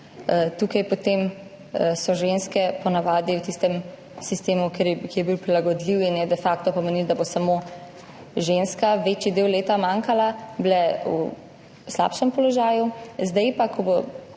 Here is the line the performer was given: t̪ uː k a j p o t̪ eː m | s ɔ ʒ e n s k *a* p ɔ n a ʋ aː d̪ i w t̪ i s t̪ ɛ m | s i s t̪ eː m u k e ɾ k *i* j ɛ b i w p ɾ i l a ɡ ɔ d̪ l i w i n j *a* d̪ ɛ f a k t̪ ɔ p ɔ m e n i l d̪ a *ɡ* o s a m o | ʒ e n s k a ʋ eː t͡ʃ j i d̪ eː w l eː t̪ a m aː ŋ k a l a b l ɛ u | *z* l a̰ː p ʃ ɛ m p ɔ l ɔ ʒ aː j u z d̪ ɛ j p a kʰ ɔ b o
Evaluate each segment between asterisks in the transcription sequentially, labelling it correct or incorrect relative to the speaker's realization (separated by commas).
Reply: incorrect, correct, incorrect, incorrect, incorrect